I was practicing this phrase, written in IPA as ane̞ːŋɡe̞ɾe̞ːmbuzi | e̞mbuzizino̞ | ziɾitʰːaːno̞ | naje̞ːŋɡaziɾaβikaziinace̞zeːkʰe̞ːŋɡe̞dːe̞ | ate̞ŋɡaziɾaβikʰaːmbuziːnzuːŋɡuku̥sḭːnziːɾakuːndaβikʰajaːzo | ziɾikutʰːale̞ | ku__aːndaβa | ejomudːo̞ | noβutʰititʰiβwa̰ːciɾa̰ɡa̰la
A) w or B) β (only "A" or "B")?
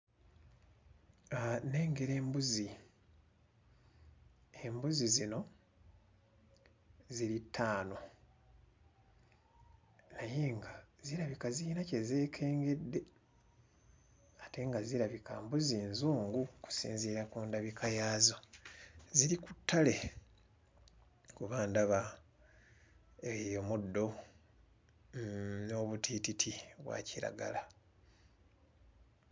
B